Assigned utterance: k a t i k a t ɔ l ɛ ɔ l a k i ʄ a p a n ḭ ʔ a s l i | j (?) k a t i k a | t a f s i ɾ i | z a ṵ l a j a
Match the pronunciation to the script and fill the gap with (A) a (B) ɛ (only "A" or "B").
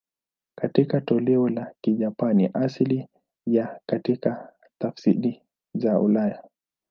A